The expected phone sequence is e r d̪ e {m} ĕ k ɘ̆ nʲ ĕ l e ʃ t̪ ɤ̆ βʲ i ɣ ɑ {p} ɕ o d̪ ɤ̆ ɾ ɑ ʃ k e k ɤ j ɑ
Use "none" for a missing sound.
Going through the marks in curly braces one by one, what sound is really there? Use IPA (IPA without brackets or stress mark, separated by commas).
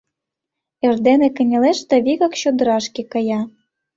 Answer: n, k